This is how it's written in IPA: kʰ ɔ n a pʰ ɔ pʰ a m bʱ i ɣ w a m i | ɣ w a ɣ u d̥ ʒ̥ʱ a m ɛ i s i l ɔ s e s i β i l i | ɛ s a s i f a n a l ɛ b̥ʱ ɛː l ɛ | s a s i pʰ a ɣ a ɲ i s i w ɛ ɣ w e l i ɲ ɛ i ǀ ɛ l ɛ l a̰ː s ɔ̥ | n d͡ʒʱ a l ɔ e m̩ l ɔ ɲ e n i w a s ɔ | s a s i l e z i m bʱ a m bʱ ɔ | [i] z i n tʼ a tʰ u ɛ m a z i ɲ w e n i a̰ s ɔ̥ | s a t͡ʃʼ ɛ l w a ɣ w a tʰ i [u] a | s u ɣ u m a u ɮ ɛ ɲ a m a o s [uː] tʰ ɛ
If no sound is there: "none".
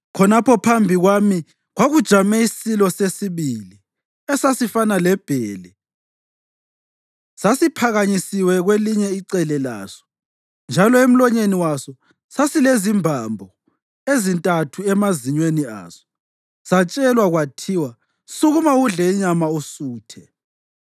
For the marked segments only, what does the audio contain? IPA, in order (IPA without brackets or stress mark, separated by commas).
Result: e, w, uː